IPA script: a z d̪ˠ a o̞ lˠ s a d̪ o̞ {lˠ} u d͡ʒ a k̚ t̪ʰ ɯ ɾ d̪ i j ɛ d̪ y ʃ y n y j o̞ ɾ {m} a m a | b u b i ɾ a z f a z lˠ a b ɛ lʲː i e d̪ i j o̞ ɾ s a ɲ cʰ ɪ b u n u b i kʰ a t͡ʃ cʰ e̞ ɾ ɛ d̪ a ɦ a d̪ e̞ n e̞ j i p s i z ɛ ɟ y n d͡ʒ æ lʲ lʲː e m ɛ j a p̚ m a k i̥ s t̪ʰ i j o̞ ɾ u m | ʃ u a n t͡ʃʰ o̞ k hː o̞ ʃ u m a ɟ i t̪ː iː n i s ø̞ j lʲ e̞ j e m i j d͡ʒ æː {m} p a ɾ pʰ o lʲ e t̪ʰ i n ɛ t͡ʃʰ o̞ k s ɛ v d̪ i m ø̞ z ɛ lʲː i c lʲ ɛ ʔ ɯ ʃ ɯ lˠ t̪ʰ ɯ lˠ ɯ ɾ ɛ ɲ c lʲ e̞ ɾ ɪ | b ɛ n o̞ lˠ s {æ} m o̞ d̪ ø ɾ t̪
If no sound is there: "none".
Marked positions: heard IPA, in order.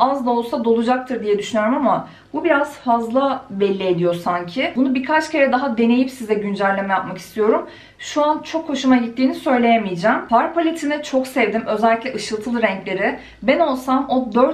lˠ, m, m, a

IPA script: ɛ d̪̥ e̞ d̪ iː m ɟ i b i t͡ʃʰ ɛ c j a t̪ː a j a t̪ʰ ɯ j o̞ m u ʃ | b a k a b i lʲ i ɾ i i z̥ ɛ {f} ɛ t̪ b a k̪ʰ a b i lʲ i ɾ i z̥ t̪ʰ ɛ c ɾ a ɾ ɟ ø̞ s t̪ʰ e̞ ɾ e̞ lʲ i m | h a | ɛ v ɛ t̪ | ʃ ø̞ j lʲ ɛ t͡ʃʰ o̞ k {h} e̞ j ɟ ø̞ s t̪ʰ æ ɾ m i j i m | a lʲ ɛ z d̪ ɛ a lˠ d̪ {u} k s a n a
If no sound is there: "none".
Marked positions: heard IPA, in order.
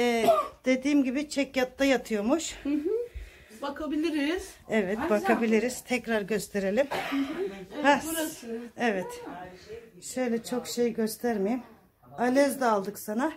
v, ʃ, ɯ

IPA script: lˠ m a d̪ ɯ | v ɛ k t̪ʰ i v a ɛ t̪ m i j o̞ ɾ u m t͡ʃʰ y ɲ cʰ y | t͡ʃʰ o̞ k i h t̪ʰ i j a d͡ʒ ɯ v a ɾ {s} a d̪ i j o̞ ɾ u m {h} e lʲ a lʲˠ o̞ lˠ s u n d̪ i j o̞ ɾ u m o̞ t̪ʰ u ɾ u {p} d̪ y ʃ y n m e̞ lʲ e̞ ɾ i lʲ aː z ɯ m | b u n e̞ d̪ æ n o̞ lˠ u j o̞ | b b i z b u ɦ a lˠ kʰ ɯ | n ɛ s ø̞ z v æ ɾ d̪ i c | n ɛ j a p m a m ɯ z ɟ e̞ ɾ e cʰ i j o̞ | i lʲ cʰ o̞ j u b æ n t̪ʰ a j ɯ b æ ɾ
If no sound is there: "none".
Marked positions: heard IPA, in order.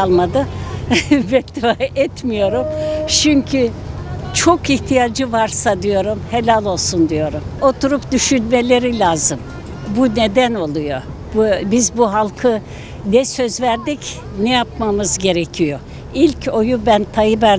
s, h, p

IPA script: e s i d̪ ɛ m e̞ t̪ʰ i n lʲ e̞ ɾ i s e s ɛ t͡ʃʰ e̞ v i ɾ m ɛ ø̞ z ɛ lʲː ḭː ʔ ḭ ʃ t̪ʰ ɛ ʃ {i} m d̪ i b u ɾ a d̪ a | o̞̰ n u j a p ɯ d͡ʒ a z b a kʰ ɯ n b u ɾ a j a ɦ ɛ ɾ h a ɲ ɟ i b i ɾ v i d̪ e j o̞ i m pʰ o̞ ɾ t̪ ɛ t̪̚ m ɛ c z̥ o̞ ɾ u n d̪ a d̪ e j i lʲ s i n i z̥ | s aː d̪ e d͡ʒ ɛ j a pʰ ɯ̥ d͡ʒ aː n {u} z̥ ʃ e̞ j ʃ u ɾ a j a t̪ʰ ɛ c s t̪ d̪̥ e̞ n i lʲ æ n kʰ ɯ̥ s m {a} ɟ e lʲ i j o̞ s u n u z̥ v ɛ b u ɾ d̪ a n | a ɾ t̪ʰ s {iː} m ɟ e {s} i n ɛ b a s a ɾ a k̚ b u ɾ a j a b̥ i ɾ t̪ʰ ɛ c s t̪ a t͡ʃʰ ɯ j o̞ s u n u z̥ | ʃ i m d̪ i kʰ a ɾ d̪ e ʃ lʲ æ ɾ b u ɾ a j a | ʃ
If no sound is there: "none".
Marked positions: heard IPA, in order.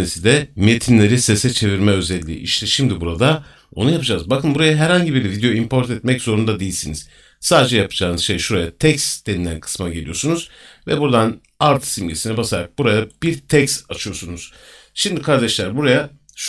i, ɯ, a, i, s

